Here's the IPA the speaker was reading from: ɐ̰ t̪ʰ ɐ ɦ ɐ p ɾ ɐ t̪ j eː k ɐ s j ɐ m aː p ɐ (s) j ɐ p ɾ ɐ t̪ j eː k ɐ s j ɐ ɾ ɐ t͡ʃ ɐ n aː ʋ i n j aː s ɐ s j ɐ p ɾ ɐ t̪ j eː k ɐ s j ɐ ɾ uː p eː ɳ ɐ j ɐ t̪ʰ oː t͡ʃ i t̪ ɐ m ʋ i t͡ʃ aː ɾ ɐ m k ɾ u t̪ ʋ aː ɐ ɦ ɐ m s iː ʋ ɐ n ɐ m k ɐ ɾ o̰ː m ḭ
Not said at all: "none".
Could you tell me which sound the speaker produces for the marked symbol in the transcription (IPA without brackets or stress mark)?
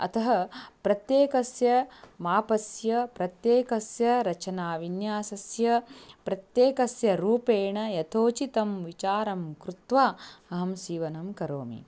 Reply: s